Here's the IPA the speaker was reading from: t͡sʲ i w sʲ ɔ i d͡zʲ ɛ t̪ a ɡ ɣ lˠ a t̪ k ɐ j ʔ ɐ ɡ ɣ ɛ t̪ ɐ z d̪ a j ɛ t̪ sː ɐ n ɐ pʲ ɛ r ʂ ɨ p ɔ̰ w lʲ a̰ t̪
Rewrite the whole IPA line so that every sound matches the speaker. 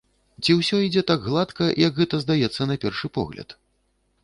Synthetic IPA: t͡sʲ i w sʲ ɔ i d͡zʲ ɛ t̪ a ɡ ɣ lˠ a t̪ k ɐ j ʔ ɐ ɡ ɣ ɛ t̪ ɐ z d̪ a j ɛ t̪ sː ɐ n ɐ pʲ ɛ r ʂ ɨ p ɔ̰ ɣ lʲ ɐ̰ t̪